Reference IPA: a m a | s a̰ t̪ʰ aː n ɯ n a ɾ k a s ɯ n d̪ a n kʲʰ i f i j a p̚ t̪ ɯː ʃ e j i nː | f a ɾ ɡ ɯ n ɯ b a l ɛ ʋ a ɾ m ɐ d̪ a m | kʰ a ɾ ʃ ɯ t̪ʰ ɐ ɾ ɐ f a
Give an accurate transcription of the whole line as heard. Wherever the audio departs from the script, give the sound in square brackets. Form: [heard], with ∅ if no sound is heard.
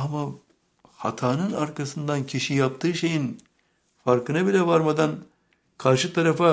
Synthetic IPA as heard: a m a | [h] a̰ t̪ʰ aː n ɯ n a ɾ k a s ɯ n d̪ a n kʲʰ i [ʃ] i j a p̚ t̪ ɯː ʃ e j i [n] | f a ɾ [k] ɯ n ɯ b [i] l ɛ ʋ a ɾ m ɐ d̪ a [n] | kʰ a ɾ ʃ ɯ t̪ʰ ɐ ɾ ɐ f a